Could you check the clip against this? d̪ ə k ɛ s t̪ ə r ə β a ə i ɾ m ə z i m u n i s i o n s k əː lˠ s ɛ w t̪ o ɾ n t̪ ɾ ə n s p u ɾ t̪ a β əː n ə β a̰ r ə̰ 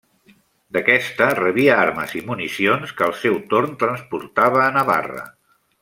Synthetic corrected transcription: d̪ ə k ɛ s t̪ ə r ə β i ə a ɾ m ə z i m u n i s i o n s k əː lˠ s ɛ w t̪ o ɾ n t̪ ɾ ə n s p u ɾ t̪ a β əː n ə β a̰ r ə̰